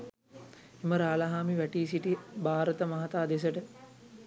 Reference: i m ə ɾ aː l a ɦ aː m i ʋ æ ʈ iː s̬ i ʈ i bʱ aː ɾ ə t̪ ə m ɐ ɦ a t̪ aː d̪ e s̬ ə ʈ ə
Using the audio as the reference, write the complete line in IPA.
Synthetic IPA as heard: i m ə ɾ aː l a ɦ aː m i ʋ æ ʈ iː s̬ i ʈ i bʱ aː ɾ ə t̪ ə m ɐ ɦ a t̪ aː d̪ e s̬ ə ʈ ə